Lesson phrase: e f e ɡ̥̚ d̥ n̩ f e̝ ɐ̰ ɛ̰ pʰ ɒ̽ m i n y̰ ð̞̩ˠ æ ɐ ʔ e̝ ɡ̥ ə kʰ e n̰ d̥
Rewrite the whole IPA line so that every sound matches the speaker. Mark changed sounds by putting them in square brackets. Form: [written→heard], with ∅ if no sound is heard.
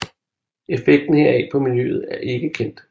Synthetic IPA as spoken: e f e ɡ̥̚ d̥ n̩ [f→h] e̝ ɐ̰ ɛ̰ pʰ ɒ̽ m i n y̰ ð̞̩ˠ æ ɐ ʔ e̝ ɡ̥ ə kʰ e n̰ d̥